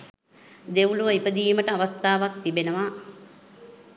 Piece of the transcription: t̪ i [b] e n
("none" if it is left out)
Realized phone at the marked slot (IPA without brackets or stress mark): b